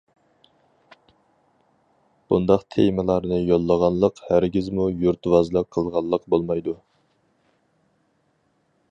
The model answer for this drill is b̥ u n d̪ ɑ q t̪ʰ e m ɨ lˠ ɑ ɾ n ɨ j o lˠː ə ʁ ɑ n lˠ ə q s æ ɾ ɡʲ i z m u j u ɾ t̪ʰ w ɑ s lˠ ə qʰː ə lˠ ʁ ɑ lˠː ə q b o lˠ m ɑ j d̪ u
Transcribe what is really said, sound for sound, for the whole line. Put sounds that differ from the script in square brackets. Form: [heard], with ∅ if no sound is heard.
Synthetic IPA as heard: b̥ u n d̪ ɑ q t̪ʰ e m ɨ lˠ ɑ ɾ n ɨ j o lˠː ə ʁ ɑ n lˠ ə q [h] æ ɾ ɡʲ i z m u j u ɾ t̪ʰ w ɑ [z] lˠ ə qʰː ə lˠ ʁ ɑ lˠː ə q b o lˠ m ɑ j d̪ u